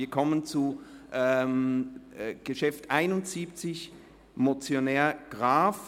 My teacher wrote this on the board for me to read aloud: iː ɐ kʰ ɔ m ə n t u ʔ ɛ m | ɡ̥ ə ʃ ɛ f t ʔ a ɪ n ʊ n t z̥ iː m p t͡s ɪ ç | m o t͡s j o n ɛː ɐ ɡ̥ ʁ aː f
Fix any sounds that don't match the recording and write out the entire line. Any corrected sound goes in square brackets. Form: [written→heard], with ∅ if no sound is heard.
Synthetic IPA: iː ɐ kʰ ɔ m ə n [t→t͡s] u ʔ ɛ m | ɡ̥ ə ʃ ɛ f t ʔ a ɪ n ʊ n t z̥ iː [m→∅] p t͡s ɪ ç | m o t͡s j o n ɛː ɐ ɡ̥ ʁ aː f